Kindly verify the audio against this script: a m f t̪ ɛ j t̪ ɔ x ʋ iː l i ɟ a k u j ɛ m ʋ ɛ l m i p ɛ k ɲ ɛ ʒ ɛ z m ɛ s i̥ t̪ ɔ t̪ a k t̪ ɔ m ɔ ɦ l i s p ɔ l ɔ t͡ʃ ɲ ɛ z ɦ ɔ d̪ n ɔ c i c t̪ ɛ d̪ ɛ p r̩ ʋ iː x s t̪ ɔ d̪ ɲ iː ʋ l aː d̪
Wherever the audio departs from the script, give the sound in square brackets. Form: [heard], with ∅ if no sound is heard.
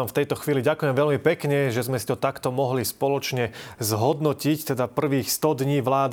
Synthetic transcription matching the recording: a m f t̪ ɛ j t̪ ɔ x ʋ iː l i ɟ a k u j ɛ m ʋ ɛ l m i p ɛ k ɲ ɛ ʒ ɛ z m ɛ s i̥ t̪ ɔ t̪ a k t̪ ɔ m ɔ ɦ l i s p ɔ l ɔ t͡ʃ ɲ ɛ z ɦ ɔ d̪ n ɔ c i c t̪ ɛ d̪ [a] p r̩ ʋ iː x s t̪ ɔ d̪ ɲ iː ʋ l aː d̪